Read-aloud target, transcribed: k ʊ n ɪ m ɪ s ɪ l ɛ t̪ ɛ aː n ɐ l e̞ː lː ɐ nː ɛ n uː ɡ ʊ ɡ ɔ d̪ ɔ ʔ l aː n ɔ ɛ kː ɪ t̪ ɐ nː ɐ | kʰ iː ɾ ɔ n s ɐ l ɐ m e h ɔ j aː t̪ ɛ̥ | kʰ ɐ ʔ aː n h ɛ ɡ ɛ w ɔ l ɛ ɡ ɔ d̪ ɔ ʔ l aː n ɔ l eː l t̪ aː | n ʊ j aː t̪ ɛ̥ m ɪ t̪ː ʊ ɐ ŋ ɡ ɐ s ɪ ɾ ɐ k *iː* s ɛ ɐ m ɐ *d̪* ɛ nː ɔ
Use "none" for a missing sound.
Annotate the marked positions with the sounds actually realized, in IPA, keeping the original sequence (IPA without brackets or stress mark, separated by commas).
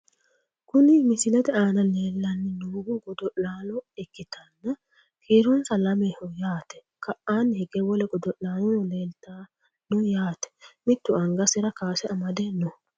aː, d̪